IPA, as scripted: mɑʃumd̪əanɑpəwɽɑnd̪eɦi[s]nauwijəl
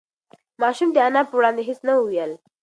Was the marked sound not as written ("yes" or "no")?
no